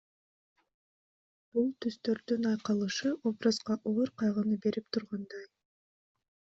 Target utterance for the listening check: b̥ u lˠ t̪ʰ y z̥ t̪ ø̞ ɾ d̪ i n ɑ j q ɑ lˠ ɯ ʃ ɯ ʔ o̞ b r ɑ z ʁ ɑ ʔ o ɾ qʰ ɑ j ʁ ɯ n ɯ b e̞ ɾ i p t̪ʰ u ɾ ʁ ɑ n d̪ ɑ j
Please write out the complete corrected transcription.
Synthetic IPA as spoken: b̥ u lˠ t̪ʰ y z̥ t̪ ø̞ ɾ d̪ y n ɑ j q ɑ lˠ ɯ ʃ ɯ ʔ o̞ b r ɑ z ʁ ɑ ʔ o ɾ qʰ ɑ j ʁ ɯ n ɯ b e̞ ɾ i p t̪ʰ u ɾ ʁ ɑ n d̪ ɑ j